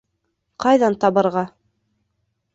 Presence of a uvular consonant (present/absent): present